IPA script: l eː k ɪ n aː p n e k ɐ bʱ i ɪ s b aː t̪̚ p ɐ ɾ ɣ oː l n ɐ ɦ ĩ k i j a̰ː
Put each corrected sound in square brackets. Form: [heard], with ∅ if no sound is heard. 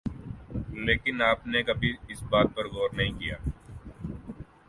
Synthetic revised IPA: l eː k ɪ n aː p n e k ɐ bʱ i ɪ s b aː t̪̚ p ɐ ɾ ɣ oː [ɾ] n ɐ ɦ ĩ k i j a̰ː